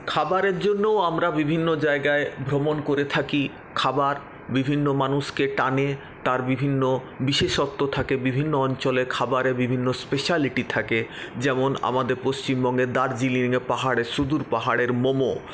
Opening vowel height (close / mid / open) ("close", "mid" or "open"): open